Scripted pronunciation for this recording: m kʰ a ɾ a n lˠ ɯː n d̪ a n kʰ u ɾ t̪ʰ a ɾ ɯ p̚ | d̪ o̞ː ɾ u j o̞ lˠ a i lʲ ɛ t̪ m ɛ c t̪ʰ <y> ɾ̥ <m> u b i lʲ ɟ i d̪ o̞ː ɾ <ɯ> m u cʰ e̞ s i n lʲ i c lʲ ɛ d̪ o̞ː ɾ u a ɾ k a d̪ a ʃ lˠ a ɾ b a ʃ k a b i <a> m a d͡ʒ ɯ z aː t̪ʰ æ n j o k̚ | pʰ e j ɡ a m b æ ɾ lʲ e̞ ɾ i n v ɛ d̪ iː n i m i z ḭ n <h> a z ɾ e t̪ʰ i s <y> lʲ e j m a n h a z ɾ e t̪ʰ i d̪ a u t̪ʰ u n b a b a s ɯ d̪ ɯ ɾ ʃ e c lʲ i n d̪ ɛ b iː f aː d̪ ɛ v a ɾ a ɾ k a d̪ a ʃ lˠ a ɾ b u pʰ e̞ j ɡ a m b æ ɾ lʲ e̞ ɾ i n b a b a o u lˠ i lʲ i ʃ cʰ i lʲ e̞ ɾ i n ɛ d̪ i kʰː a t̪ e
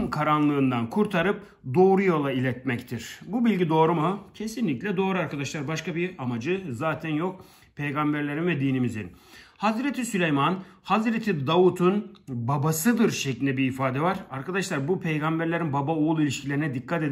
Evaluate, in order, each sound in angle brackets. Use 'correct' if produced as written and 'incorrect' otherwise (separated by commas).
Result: incorrect, incorrect, incorrect, correct, correct, correct